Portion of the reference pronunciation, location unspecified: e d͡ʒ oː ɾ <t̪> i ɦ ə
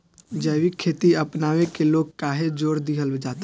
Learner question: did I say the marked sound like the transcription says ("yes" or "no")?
no